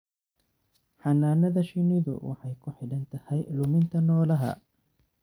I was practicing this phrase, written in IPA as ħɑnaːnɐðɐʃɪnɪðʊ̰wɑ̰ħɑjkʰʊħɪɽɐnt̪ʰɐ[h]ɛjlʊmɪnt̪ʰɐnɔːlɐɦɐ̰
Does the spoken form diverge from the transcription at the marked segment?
no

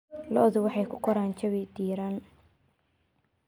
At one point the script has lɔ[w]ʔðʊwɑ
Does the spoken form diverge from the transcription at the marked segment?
yes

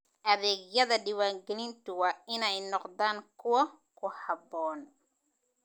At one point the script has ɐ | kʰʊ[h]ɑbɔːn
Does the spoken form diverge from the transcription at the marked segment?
no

